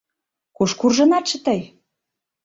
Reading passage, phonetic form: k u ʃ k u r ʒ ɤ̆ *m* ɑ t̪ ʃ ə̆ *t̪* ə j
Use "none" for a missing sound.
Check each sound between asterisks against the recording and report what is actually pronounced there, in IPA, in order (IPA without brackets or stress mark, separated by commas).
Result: n, t̪